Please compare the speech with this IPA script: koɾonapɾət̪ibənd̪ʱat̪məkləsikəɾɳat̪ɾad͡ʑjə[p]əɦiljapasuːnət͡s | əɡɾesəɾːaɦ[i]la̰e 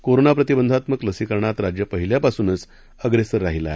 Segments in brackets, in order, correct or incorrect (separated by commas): correct, correct